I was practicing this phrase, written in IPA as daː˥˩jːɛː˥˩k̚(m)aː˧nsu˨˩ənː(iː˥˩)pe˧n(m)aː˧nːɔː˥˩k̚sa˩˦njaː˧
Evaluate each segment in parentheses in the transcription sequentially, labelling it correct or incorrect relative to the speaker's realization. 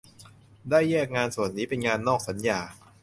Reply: incorrect: ŋ, incorrect: iː˦˥, incorrect: ŋ

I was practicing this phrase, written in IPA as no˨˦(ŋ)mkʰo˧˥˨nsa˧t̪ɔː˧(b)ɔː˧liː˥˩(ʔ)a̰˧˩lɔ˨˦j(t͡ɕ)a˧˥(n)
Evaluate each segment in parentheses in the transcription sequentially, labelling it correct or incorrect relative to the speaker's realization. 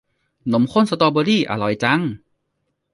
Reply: incorrect: none, correct, correct, correct, incorrect: ŋ

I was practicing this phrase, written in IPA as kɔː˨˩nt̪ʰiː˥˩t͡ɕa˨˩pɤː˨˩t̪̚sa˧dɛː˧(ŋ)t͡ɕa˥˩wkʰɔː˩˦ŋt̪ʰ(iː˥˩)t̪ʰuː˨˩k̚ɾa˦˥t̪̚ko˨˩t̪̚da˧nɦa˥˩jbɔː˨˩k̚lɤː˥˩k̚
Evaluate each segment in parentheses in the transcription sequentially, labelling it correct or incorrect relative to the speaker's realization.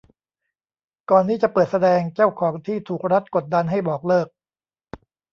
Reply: correct, correct

